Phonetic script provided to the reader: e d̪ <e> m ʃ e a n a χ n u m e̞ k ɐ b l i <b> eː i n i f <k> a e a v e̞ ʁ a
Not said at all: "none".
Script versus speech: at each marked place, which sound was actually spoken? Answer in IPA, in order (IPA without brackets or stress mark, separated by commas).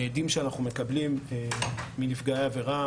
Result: i, m, ɡ